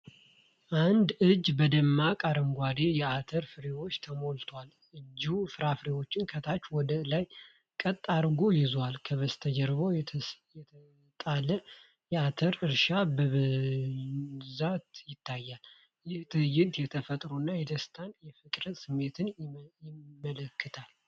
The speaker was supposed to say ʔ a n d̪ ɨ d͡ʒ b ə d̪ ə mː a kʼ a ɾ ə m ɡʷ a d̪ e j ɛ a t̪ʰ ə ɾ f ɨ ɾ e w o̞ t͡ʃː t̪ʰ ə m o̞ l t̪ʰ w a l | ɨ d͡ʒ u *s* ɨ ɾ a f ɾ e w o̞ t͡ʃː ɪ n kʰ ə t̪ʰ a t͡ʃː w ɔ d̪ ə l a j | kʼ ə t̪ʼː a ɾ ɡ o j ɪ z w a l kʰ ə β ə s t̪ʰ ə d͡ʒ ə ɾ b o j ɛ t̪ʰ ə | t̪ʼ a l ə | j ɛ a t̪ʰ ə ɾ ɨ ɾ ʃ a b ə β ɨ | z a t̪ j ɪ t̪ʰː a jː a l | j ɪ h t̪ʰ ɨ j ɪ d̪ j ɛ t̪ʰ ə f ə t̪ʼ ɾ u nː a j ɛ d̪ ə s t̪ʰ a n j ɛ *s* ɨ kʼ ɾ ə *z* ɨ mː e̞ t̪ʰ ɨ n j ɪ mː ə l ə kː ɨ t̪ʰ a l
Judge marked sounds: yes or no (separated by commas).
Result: no, no, no